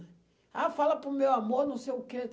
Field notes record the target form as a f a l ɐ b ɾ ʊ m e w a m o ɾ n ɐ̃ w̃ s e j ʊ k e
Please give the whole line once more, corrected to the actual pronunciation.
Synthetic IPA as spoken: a f a l ɐ p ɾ ʊ m e w a m o ɾ n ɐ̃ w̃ s e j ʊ k e